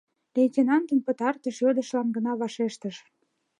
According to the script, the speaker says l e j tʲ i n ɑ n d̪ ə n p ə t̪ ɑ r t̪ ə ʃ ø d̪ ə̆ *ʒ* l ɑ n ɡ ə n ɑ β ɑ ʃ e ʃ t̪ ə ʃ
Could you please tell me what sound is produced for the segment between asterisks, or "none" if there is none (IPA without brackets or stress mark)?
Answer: ʃ